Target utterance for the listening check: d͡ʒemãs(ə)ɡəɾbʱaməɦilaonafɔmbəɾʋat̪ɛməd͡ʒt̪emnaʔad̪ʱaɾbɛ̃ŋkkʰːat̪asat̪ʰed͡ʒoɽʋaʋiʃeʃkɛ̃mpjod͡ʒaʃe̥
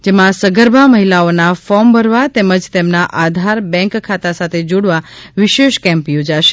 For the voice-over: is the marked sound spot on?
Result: yes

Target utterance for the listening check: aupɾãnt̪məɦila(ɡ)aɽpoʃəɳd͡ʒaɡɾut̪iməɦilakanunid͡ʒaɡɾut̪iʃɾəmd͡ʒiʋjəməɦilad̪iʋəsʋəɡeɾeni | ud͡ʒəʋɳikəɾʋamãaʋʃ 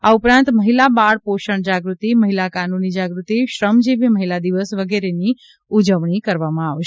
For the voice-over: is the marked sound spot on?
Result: no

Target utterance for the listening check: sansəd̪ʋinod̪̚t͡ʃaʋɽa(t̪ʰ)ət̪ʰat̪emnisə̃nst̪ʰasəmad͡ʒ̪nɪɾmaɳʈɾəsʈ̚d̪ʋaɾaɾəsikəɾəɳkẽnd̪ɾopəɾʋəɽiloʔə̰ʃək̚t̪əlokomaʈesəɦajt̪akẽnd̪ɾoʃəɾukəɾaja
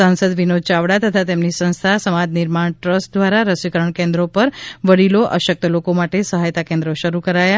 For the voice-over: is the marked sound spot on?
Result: no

